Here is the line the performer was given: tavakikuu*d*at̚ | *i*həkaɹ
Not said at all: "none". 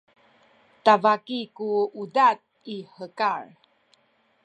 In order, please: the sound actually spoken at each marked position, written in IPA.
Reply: d, i

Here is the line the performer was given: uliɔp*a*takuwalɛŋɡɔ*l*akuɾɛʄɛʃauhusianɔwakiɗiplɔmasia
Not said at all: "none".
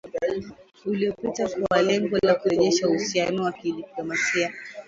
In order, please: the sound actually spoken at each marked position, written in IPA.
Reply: i, l

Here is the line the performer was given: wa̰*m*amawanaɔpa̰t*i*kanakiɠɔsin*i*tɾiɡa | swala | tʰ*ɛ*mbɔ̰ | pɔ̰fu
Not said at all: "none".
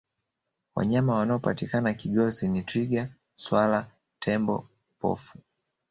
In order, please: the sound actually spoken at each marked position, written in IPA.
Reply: ɲ, i, i, ɛ

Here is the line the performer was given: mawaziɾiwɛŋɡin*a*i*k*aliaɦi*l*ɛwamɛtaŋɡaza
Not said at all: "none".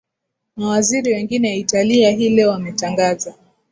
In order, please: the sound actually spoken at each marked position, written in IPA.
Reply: ɛ, t, l

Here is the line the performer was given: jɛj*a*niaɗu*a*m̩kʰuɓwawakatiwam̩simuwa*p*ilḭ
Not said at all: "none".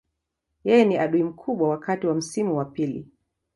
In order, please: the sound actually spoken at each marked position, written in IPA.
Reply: ɛ, i, p

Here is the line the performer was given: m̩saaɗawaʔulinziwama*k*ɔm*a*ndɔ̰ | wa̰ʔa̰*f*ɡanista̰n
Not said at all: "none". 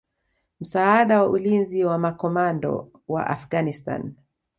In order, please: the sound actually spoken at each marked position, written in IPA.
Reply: k, a, f

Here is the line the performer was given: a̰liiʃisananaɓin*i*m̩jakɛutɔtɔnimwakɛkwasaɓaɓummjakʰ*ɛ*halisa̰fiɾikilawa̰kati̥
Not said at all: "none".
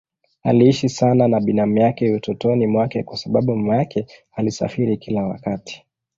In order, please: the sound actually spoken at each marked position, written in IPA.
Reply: a, ɛ

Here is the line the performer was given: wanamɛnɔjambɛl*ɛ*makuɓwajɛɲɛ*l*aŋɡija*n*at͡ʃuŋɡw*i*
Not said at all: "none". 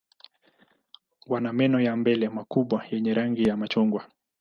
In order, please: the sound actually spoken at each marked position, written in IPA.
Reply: ɛ, ɾ, m, a

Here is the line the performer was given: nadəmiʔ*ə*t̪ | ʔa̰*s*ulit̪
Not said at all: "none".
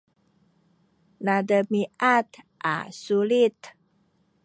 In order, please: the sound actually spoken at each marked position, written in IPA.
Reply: a, s

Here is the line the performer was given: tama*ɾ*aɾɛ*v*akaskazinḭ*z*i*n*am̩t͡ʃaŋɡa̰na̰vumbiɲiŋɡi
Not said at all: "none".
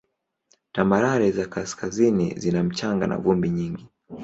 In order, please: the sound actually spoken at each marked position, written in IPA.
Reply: ɾ, z, z, n

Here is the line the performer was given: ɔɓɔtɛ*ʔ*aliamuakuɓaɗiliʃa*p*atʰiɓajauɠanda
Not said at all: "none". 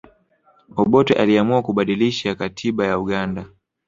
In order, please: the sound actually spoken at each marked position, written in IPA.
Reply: ʔ, k

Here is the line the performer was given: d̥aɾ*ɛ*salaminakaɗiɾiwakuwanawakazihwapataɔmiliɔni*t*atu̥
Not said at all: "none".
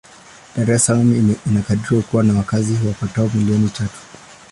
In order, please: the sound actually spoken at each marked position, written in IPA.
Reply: ɛ, t͡ʃ

